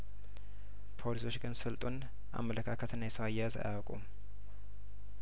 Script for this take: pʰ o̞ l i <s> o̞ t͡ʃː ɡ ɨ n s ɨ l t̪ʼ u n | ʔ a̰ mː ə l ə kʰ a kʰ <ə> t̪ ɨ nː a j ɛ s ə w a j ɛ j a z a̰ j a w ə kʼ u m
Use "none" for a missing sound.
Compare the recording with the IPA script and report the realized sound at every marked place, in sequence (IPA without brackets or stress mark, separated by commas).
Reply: s, ə